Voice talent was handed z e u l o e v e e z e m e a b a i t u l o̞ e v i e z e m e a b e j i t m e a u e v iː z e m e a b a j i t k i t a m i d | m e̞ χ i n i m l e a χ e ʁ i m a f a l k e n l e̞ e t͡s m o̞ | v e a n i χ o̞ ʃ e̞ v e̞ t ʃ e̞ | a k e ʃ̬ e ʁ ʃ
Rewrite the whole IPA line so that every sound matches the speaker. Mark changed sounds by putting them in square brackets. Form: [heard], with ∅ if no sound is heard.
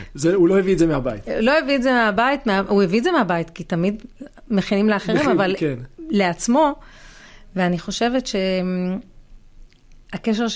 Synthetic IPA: z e u l o e v [i] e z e m e a b a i t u l o̞ e v i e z e m e a b [a] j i t m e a u e v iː z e m e a b a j i t k i t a m i d | m e̞ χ i n i m l e a χ e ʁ i m a [v] a l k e n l e̞ [a] t͡s m o̞ | v e a n i χ o̞ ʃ e̞ v e̞ t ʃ e̞ | a k e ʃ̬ e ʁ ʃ